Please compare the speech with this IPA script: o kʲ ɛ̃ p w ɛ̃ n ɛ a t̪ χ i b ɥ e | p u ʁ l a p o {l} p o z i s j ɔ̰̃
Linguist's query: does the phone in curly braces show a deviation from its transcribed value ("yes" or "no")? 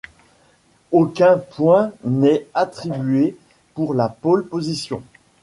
no